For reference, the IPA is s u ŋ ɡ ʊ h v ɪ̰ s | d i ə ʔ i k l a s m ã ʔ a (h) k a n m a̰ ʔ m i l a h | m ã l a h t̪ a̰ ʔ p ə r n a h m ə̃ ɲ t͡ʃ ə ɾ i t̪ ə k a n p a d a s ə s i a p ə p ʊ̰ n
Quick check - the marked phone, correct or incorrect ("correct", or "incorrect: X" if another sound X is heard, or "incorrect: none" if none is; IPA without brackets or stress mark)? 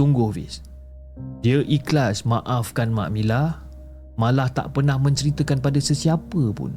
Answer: incorrect: f